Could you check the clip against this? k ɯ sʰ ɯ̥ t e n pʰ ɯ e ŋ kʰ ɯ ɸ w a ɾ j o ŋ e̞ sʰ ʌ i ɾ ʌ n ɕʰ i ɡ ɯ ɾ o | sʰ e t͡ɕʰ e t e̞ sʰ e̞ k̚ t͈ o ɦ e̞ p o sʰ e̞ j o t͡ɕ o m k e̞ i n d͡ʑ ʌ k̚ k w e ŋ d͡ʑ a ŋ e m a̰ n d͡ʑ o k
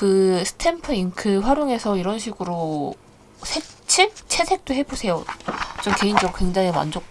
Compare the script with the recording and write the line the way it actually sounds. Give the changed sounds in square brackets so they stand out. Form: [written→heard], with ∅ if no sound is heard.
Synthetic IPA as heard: k ɯ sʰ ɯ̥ [t→tʰ] e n pʰ ɯ [e→i] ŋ kʰ ɯ ɸ w a ɾ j o ŋ e̞ sʰ ʌ i ɾ ʌ n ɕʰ i ɡ ɯ ɾ o | sʰ e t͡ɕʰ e [t→t͡ɕʰ] e̞ sʰ e̞ k̚ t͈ o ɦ e̞ [p→b] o sʰ e̞ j o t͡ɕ o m k e̞ i n d͡ʑ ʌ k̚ k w e ŋ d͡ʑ a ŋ e m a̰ n d͡ʑ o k